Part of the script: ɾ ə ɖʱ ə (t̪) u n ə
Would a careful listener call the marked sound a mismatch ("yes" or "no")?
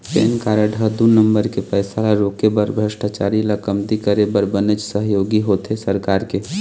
yes